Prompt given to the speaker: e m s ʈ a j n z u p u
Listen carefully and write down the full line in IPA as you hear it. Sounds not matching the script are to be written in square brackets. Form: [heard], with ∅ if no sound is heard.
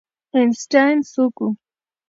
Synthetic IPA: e [n] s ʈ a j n [s] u [k] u